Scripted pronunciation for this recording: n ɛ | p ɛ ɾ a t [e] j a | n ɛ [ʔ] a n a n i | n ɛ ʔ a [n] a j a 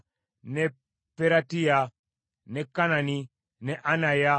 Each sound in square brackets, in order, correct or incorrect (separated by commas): incorrect, incorrect, correct